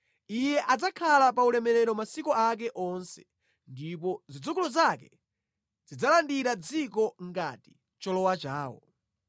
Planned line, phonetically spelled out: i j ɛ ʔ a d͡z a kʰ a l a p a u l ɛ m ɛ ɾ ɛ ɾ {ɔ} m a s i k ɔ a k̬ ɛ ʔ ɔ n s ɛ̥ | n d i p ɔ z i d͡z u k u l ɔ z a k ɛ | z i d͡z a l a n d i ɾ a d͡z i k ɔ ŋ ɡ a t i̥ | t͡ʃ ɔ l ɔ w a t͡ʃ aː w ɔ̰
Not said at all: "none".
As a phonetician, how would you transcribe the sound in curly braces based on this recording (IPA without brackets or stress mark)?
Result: ɔ